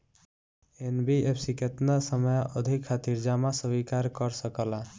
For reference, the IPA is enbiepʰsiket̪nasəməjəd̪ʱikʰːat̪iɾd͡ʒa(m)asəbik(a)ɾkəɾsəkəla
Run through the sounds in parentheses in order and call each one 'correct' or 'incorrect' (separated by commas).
correct, correct